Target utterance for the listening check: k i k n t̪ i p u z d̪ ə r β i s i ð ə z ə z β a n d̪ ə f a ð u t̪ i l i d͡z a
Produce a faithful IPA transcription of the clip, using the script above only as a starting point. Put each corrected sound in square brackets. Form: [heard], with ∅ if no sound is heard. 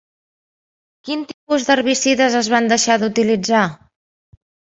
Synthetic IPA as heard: k i [∅] n t̪ i p u z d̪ ə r β i s i ð ə z ə z β a n d̪ ə [ʃ] a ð u t̪ i l i d͡z a